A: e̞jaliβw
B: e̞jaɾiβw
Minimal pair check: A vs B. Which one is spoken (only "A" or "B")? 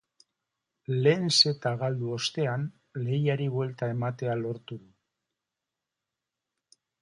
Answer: B